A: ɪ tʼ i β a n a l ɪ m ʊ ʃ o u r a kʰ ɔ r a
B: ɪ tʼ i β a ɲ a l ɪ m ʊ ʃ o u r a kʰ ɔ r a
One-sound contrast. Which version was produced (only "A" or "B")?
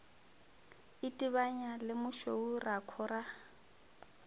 B